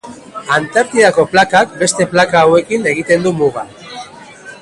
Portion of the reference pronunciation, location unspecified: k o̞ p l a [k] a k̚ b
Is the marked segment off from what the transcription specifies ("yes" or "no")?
no